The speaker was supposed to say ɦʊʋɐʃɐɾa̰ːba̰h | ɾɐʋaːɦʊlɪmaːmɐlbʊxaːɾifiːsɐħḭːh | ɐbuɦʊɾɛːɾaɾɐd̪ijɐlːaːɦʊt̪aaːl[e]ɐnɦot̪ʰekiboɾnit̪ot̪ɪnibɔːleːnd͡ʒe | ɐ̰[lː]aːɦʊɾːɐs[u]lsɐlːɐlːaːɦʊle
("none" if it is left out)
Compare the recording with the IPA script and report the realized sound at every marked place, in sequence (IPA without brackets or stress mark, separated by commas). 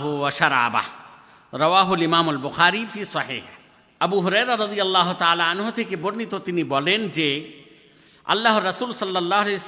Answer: a, lː, uː